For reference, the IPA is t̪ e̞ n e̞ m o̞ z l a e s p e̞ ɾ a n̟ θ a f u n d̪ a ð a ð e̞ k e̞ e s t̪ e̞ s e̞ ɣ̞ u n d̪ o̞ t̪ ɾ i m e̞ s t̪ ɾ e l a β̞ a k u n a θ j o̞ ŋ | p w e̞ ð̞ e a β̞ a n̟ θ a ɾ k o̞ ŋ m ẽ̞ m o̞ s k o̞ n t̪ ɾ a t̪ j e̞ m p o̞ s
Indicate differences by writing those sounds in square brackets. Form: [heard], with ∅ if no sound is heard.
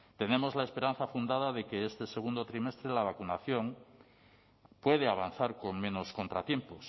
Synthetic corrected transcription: t̪ e̞ n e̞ m o̞ z l a e s p e̞ ɾ a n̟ θ a f u n d̪ a ð a ð e̞ k e̞ e s t̪ e̞ s e̞ ɣ̞ u n d̪ o̞ t̪ ɾ i m e̞ s t̪ ɾ e l a β̞ a k u n a θ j o̞ ŋ | p w e̞ ð̞ e a β̞ a n̟ θ a ɾ k o̞ ŋ m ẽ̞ [n] o̞ s k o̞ n t̪ ɾ a t̪ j e̞ m p o̞ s